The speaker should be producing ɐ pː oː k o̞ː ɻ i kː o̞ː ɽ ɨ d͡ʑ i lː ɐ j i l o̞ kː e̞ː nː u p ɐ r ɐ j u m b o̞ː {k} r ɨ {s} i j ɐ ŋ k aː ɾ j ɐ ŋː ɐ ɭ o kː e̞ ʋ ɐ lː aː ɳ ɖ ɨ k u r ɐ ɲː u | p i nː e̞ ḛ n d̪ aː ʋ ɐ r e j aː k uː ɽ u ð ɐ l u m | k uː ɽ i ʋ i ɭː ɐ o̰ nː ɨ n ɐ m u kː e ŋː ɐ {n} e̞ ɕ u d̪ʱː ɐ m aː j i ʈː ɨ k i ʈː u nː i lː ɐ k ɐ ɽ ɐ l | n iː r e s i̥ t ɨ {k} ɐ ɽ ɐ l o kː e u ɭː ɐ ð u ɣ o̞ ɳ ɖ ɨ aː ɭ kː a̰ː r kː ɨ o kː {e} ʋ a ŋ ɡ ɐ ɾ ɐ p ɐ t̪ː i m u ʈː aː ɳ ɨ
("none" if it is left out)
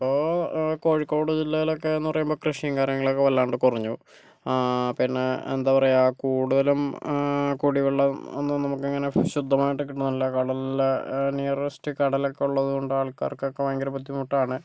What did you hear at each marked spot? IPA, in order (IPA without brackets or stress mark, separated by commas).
k, ʂ, n, k, e